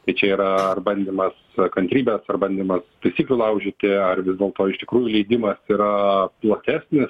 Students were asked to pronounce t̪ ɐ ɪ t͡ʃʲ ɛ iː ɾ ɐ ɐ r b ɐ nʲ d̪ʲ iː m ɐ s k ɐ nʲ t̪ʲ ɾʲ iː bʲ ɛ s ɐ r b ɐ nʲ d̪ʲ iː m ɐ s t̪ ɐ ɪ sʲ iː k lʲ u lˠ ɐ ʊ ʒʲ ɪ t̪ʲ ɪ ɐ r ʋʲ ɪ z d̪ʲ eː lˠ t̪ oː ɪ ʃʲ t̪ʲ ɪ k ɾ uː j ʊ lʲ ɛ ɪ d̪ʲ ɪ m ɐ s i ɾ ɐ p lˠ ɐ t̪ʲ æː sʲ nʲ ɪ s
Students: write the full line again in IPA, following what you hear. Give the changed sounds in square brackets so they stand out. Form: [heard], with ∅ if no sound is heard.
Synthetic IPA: t̪ ɐ ɪ t͡ʃʲ ɛ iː ɾ ɐ ɐ r b ɐ nʲ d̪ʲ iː m ɐ s k ɐ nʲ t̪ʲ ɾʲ iː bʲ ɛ s ɐ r b ɐ nʲ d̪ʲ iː m ɐ s t̪ ɐ ɪ sʲ iː k lʲ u lˠ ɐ ʊ ʒʲ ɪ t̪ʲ ɪ ɐ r ʋʲ ɪ z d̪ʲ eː lˠ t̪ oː ɪ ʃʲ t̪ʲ ɪ k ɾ uː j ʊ lʲ ɛ ɪ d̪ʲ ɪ m ɐ s i ɾ ɐ p lˠ ɐ t̪ʲ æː sʲ nʲ ɪ s